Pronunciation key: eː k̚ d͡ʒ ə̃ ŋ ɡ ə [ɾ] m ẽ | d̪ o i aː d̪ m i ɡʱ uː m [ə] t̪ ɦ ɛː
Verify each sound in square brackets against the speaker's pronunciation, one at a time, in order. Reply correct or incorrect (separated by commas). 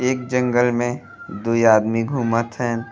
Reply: incorrect, correct